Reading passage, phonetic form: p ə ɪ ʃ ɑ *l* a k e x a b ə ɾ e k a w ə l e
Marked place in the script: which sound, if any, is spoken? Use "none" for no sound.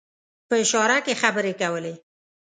ɾ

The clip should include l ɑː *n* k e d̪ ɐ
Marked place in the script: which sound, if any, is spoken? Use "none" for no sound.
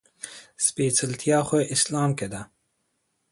m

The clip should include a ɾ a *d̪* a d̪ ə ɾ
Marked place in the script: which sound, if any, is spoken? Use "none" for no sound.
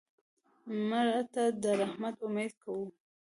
t̪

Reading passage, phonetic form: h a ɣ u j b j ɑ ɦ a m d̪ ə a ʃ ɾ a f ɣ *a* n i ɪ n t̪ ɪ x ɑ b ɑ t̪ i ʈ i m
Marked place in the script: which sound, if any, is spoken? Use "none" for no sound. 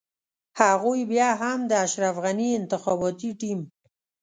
a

